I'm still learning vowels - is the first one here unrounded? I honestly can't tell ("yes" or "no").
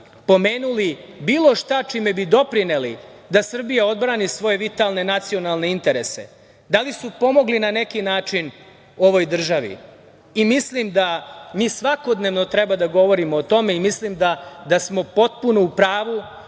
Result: no